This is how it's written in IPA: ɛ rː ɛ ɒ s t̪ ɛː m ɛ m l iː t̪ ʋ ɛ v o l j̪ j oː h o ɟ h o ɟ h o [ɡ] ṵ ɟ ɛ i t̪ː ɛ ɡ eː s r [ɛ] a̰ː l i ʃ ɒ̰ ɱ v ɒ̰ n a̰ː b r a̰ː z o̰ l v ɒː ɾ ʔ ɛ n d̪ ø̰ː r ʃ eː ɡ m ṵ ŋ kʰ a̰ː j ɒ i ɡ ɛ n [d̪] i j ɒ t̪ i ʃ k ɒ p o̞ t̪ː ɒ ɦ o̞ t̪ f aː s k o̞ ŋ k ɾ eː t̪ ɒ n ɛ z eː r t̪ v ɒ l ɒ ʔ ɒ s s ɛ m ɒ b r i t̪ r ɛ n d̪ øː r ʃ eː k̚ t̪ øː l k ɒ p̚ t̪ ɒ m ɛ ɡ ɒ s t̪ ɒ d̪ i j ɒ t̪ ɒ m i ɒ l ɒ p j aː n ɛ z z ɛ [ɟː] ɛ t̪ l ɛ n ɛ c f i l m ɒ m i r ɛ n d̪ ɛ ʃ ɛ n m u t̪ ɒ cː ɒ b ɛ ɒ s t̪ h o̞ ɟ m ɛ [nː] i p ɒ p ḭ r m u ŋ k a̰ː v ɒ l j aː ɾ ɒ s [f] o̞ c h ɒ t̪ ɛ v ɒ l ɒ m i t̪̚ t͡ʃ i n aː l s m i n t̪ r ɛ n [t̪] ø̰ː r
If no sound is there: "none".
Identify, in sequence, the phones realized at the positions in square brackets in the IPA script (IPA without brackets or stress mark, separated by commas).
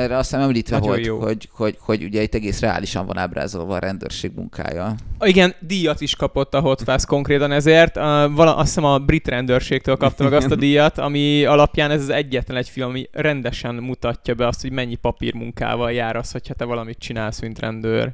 ɟ, ɛ, d̪, ɟː, ɲː, h, d̪